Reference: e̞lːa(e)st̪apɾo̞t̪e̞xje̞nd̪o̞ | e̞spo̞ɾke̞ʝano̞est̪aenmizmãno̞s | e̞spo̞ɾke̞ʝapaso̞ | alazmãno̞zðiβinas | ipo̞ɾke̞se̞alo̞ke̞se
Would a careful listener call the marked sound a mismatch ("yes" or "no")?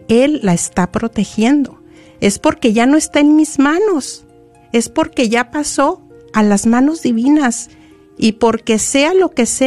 no